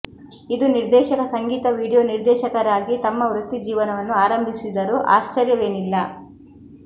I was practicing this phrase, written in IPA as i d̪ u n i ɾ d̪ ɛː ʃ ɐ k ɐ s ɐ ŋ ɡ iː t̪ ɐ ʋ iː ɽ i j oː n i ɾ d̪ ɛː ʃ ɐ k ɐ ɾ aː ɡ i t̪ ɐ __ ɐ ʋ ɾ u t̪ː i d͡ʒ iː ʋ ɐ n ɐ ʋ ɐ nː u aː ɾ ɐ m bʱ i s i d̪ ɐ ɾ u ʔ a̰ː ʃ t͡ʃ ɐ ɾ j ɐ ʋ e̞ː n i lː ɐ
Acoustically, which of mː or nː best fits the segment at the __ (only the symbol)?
mː